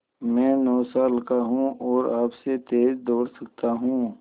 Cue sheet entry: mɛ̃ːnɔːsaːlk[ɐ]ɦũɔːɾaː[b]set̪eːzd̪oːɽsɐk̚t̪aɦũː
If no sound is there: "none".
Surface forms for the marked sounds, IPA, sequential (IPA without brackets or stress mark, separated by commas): a, p